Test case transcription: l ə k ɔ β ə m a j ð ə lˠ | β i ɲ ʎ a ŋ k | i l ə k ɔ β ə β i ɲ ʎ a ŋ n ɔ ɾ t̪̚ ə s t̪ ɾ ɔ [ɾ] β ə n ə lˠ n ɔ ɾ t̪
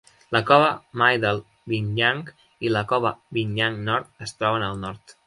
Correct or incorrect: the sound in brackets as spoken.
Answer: incorrect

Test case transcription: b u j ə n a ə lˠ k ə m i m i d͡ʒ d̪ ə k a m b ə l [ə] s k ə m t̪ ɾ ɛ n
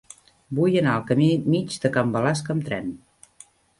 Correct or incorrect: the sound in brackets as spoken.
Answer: incorrect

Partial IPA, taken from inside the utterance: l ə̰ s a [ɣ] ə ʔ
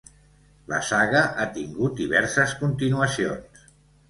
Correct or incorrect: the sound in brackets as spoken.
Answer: correct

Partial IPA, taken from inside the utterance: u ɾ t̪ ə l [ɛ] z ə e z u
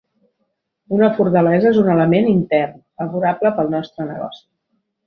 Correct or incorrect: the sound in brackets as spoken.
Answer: correct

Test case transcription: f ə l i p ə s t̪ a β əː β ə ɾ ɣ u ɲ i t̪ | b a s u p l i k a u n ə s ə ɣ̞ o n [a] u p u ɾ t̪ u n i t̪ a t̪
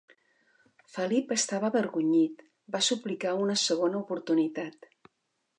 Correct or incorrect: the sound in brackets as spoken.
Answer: incorrect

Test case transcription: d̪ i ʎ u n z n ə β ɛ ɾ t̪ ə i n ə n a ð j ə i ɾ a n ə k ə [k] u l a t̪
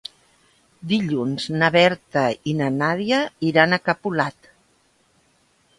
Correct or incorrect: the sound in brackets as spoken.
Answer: incorrect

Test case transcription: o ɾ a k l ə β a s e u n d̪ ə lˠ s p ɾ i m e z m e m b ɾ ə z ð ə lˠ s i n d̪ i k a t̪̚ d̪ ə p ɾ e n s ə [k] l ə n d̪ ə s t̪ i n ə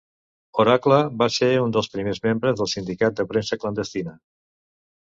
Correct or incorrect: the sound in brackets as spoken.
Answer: correct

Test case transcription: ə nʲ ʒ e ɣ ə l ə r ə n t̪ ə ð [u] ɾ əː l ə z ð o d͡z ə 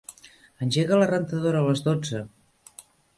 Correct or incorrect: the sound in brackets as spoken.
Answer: incorrect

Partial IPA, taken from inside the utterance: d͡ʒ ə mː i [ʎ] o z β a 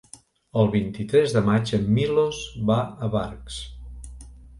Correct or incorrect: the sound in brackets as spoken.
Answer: incorrect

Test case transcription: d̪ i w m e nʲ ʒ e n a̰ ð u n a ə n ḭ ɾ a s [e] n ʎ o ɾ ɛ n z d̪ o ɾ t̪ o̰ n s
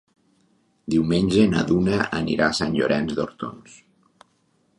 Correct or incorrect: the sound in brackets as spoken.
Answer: incorrect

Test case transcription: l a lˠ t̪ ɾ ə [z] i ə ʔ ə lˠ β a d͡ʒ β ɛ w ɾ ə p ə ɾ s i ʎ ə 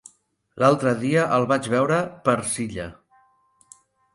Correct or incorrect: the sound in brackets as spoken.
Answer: incorrect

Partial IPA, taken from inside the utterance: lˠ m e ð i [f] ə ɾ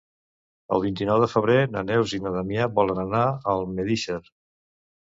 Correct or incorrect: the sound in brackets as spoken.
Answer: incorrect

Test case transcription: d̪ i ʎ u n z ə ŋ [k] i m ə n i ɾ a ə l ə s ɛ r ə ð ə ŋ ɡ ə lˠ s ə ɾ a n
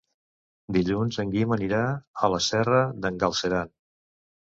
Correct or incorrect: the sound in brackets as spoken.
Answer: incorrect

